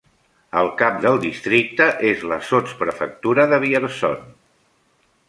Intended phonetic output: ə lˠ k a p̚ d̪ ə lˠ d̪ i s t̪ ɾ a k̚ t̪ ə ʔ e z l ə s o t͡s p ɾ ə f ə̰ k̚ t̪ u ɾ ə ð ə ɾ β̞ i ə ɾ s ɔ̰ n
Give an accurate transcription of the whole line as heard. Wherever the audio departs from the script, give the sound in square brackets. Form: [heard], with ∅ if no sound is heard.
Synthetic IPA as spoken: ə lˠ k a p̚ d̪ ə lˠ d̪ i s t̪ ɾ [i] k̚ t̪ ə ʔ e z l ə s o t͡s p ɾ ə f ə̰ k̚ t̪ u ɾ ə ð ə [∅] β̞ i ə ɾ s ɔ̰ n